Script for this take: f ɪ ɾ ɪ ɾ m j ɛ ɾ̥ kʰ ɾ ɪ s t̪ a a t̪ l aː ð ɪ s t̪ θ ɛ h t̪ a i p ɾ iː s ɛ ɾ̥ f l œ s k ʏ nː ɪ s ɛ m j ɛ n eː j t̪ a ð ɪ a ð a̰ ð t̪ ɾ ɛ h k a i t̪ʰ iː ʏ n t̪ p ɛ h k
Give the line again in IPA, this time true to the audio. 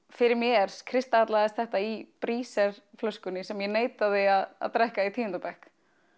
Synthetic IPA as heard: f ɪ ɾ ɪ ɾ m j ɛ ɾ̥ kʰ ɾ ɪ s t̪ a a t̪ l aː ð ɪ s t̪ θ ɛ h t̪ a i p ɾ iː s ɛ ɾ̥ f l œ s k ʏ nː ɪ s ɛ m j ɛ n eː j t̪ a ð ɪ a ð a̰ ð t̪ ɾ ɛ h k a i t̪ʰ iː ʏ n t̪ p ɛ h k